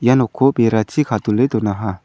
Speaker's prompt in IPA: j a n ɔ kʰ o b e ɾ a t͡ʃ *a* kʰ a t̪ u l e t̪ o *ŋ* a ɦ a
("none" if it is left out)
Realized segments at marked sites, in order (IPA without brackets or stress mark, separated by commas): i, n